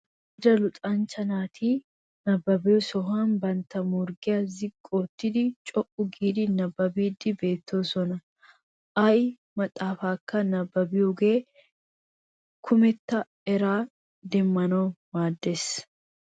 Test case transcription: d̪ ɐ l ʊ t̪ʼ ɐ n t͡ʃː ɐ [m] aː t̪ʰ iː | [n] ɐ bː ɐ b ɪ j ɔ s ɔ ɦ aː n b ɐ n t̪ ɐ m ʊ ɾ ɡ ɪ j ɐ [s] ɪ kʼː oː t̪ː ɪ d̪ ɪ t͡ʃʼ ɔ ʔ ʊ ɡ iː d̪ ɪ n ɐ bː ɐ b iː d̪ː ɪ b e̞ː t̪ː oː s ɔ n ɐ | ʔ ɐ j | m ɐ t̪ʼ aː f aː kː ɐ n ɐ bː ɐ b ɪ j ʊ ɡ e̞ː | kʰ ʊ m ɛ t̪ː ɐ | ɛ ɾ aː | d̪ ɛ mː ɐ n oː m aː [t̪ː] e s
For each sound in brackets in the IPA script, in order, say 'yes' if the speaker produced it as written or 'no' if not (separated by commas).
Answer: no, yes, no, no